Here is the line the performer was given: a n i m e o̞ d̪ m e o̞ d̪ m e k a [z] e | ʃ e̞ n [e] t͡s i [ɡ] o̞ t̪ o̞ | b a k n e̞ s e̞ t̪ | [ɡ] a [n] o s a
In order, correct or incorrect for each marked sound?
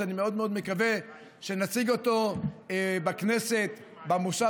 incorrect: v, incorrect: a, correct, incorrect: b, incorrect: m

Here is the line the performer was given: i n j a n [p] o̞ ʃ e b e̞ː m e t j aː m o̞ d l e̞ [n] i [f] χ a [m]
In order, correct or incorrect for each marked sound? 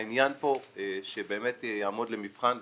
correct, incorrect: m, correct, incorrect: n

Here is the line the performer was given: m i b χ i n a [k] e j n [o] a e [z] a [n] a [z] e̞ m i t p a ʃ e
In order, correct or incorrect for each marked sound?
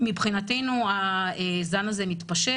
incorrect: t, incorrect: u, correct, correct, correct

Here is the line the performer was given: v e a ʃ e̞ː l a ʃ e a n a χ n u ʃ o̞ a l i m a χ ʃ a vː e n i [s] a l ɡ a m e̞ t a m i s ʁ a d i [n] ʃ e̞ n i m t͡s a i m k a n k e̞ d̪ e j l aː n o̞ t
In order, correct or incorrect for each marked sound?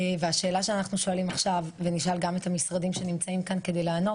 incorrect: ʃ, incorrect: m

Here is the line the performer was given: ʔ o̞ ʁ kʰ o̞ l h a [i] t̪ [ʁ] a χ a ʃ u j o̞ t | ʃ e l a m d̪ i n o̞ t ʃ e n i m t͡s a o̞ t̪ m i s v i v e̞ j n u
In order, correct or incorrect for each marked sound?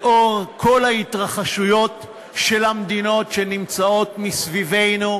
correct, correct

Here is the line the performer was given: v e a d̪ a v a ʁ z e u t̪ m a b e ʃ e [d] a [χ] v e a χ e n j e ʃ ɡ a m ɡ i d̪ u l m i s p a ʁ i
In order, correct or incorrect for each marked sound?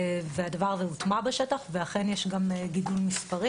incorrect: t, correct

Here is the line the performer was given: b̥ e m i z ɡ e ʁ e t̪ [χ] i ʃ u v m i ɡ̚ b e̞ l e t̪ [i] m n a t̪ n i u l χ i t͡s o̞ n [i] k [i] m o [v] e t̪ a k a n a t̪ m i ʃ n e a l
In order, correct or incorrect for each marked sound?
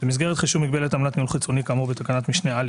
correct, incorrect: a, correct, incorrect: a, incorrect: b

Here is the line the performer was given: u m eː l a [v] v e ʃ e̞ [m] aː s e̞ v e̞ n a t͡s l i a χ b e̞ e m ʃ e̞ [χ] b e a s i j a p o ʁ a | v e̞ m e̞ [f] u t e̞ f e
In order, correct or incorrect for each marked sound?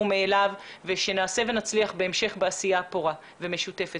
correct, incorrect: n, correct, incorrect: ʃ

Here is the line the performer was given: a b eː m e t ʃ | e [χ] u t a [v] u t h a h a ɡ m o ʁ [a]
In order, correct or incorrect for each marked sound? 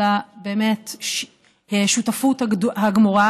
incorrect: ʃ, incorrect: f, correct

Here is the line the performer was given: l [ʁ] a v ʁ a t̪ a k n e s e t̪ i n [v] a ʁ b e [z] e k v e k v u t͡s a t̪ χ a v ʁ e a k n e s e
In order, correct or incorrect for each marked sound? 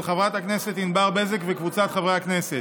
incorrect: χ, incorrect: b, correct

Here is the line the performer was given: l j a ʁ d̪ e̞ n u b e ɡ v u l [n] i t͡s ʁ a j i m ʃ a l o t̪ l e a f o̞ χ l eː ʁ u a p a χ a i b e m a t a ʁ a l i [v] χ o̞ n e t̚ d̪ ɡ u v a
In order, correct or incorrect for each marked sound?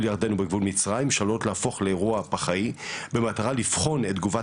incorrect: m, incorrect: f

